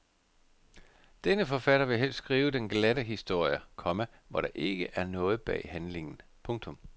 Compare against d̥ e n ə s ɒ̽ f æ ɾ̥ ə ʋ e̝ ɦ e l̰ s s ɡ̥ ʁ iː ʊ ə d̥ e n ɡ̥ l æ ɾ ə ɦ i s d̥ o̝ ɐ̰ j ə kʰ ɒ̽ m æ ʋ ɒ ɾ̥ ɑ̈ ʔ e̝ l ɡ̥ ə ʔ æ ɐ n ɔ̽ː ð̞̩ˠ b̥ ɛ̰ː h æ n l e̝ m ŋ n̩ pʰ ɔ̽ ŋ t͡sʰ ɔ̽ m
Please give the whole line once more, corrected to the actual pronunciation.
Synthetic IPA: d̥ e n ə f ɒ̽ f æ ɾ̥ ɐ ʋ e̝ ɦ e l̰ s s ɡ̥ ʁ iː ʊ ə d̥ e n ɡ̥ l æ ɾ ə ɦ i s d̥ o̝ ɐ̰ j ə kʰ ɒ̽ m æ ʋ ɒ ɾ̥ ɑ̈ ʔ e̝ ɡ̥ ə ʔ æ ɐ n ɔ̽ː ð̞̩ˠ b̥ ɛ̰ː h æ n l e̝ ŋ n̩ pʰ ɔ̽ ŋ t͡sʰ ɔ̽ m

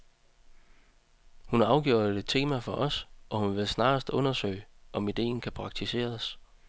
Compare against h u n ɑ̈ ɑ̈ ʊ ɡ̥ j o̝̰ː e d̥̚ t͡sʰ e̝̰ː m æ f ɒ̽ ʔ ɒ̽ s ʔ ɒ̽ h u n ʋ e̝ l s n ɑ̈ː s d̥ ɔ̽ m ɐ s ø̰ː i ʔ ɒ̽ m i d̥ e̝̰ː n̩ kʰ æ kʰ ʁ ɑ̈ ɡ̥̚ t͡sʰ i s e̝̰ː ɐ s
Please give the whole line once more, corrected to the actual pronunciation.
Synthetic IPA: h u n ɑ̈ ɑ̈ ʊ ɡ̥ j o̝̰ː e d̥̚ t͡sʰ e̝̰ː m æ f ɒ̽ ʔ ɒ̽ s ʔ ɒ̽ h u n ʋ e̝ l s n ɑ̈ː s d̥ ɔ̽ n ɐ s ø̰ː ɪ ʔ ɒ̽ m i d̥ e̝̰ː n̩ kʰ æ pʰ ʁ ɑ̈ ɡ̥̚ t͡sʰ i s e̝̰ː ɐ s

